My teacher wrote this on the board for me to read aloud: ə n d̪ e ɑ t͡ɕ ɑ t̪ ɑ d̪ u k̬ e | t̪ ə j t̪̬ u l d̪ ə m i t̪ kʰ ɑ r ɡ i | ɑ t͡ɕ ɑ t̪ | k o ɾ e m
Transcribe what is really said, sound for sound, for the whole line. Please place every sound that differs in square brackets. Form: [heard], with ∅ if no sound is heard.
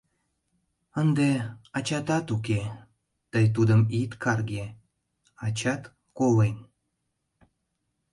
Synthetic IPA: ə n d̪ e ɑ t͡ɕ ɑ t̪ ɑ [t̪] u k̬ e | t̪ ə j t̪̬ u [∅] d̪ ə m i t̪ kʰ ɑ r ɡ [e] | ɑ t͡ɕ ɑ t̪ | k o [l] e [n]